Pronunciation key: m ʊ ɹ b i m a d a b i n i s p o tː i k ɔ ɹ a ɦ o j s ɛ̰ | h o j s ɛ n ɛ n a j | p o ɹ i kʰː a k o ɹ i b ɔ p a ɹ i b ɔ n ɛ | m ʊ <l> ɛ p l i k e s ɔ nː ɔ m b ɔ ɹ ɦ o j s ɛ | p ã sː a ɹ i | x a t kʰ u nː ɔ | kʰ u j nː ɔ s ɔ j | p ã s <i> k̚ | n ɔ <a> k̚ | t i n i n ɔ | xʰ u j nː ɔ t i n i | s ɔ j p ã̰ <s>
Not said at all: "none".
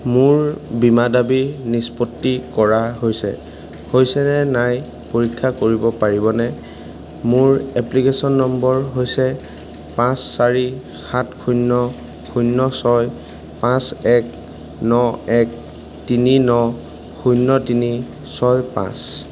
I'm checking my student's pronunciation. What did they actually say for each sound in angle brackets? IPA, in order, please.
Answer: ɹ, ɛ, ɛ, s

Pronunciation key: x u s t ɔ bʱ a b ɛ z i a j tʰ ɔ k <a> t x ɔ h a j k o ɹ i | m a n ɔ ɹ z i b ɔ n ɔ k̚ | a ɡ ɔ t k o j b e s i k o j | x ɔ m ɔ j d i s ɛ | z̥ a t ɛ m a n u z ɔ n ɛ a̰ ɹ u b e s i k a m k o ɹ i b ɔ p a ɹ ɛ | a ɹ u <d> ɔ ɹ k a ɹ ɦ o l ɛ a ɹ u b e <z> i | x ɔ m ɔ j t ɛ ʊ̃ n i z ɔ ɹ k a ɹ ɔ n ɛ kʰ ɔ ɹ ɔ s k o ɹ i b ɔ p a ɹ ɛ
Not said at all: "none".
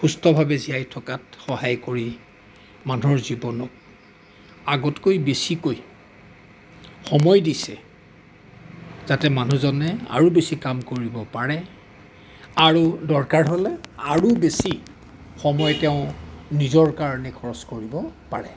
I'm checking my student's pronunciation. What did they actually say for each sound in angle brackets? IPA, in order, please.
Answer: a, d, s

